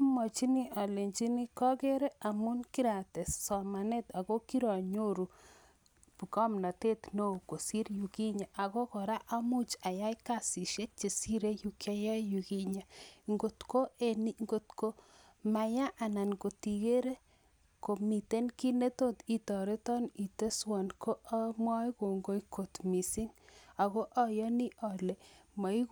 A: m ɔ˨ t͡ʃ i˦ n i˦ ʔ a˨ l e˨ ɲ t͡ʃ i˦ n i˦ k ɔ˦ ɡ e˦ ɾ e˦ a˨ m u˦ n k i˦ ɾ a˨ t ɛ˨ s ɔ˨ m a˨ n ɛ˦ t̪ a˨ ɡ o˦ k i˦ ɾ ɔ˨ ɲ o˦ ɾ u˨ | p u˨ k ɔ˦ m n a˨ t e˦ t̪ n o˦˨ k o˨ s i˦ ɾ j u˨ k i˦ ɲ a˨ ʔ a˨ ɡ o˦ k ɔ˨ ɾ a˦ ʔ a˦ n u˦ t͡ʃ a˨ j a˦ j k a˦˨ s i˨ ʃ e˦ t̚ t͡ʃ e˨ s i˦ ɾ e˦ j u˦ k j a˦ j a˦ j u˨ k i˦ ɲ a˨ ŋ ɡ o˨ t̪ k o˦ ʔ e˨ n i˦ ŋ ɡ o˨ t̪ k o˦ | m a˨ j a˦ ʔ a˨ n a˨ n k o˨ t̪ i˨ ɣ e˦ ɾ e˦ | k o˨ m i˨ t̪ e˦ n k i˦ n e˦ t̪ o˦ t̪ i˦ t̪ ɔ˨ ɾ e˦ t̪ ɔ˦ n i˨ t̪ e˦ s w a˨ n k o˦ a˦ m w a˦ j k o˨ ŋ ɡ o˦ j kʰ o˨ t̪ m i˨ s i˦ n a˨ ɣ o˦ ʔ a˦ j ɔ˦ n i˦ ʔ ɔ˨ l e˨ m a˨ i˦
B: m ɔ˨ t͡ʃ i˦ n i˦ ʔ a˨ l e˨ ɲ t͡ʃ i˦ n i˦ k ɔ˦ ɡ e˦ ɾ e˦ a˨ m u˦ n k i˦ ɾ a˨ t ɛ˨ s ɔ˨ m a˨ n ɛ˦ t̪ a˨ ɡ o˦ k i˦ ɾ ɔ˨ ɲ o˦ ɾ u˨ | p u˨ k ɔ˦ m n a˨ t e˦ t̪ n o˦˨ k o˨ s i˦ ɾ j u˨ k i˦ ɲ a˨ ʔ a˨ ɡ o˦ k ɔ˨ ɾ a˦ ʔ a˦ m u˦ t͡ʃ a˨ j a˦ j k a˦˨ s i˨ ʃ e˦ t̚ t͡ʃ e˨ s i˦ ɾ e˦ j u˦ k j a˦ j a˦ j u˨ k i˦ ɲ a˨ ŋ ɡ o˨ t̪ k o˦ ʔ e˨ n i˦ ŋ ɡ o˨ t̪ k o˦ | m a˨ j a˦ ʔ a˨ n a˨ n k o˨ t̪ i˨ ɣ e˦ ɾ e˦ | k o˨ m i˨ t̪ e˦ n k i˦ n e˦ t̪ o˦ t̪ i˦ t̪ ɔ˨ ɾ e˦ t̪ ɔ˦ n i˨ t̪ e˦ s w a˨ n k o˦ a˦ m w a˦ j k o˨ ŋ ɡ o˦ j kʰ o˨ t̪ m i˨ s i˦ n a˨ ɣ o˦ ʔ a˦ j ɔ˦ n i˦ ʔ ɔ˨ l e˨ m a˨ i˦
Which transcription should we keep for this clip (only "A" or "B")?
B